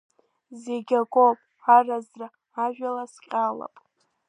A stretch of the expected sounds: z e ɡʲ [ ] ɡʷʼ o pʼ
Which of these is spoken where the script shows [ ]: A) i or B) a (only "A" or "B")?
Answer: B